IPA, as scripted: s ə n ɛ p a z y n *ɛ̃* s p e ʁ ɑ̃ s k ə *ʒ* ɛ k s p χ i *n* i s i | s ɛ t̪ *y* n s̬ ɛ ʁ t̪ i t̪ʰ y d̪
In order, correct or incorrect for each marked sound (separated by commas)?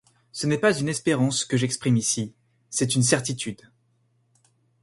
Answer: incorrect, correct, incorrect, correct